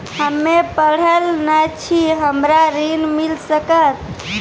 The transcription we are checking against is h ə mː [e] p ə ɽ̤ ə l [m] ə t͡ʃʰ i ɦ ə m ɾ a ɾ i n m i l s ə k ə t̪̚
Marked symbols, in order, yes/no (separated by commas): yes, no